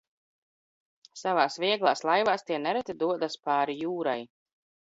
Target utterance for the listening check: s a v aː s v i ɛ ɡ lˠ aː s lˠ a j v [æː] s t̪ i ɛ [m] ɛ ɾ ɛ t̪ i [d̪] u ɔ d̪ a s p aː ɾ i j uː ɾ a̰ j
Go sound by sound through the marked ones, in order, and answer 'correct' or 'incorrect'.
incorrect: aː, incorrect: n, correct

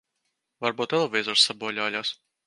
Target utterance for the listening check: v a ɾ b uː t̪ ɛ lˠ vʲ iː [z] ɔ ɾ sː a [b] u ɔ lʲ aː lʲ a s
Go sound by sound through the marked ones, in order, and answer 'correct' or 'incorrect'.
correct, correct

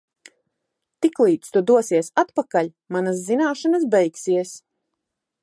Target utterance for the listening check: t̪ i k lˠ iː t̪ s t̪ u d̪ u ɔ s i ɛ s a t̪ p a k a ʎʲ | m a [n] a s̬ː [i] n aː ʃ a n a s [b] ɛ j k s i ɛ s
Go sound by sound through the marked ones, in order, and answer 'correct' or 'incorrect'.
correct, correct, correct

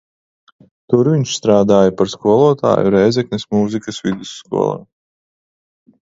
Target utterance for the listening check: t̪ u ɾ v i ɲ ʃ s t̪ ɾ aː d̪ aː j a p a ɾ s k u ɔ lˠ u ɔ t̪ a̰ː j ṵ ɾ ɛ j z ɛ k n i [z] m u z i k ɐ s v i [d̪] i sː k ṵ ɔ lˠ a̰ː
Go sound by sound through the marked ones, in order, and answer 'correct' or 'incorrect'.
incorrect: s, correct

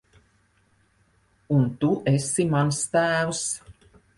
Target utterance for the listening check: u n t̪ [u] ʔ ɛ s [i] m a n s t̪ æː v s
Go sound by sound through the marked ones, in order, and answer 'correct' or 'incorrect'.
correct, correct

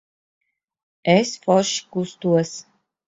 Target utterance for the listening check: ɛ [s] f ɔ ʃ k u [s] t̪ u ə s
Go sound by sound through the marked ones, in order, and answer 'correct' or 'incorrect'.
correct, correct

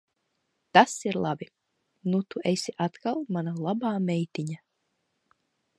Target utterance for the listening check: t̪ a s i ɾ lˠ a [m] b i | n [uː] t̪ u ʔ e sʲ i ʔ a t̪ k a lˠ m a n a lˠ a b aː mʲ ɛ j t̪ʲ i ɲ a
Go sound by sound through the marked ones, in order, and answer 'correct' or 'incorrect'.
incorrect: none, incorrect: u

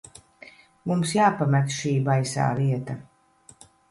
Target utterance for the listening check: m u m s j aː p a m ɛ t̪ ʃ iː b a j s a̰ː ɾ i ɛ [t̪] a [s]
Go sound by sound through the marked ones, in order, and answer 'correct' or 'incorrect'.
correct, incorrect: none

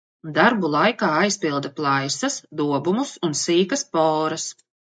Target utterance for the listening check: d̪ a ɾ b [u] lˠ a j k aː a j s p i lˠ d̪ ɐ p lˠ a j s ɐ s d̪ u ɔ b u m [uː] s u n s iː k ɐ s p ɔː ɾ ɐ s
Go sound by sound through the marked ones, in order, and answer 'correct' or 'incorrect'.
correct, incorrect: u

